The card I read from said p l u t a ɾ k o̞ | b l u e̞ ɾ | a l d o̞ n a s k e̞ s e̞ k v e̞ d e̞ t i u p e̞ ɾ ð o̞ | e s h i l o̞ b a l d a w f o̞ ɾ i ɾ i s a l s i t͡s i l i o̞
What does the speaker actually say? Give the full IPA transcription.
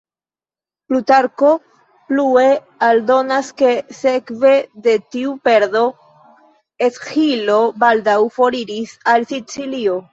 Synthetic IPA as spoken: p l u t a ɾ k o̞ | p l u e̞ | a l d o̞ n a s k e̞ s e̞ k v e̞ d e̞ t i u p e̞ ɾ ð o̞ | e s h i l o̞ b a l d a w f o̞ ɾ i ɾ i s a l s i t͡s i l i o̞